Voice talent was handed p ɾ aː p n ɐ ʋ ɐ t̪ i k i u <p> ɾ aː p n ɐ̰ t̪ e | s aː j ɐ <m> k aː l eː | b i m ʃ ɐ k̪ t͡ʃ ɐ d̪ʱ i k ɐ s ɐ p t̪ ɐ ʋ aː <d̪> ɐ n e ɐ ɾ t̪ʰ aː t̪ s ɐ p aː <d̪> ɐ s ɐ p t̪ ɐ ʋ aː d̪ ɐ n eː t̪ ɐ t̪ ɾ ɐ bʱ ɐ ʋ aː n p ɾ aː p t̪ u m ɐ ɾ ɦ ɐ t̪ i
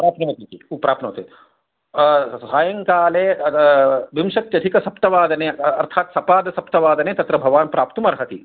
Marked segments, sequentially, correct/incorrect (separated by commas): correct, incorrect, correct, correct